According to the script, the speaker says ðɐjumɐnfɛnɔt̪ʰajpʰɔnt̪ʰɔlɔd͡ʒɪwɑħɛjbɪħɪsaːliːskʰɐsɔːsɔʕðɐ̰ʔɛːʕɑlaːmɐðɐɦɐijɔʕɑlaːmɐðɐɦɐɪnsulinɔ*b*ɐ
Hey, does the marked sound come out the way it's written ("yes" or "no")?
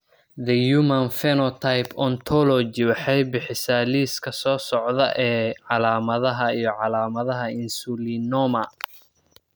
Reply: no